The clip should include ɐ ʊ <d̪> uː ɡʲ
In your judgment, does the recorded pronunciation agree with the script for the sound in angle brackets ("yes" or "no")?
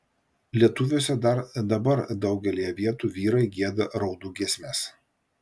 yes